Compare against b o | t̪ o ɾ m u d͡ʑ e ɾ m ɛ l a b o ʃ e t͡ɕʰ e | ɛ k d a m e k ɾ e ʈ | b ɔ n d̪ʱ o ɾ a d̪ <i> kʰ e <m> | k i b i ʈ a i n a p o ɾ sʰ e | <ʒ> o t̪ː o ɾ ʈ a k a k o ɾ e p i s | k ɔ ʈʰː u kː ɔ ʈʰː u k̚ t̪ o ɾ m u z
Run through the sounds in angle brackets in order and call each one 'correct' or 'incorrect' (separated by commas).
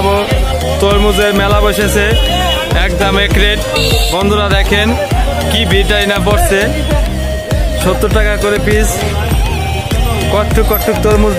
incorrect, incorrect, incorrect